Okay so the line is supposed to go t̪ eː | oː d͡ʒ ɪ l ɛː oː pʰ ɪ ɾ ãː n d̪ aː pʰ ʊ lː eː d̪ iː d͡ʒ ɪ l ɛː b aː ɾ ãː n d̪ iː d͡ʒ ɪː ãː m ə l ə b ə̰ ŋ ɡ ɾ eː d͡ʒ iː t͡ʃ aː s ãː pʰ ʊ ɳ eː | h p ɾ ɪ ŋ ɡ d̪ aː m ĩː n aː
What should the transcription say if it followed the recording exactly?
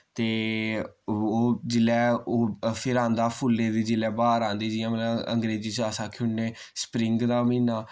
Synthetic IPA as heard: t̪ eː | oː d͡ʒ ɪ l ɛː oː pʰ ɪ ɾ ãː n d̪ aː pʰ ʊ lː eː d̪ iː d͡ʒ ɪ l ɛː b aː ɾ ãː n d̪ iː d͡ʒ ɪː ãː m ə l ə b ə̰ ŋ ɡ ɾ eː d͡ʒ iː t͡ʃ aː s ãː kʰ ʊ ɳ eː | s p ɾ ɪ ŋ ɡ d̪ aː m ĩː n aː